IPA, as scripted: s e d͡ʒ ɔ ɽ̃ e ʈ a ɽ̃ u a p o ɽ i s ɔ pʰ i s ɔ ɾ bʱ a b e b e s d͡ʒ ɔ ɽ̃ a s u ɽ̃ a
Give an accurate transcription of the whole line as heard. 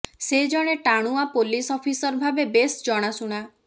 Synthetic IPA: s e d͡ʒ ɔ ɽ̃ e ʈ a ɽ̃ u a p o l i s ɔ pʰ i s ɔ ɾ bʱ a b e b e s d͡ʒ ɔ ɽ̃ a s u ɽ̃ a